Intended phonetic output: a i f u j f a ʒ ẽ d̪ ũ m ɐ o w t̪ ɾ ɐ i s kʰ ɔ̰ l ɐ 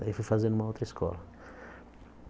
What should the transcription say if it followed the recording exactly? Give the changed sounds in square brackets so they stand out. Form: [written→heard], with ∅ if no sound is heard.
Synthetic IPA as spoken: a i f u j f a [ʒ→z] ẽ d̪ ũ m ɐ o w t̪ ɾ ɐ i s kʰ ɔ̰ l ɐ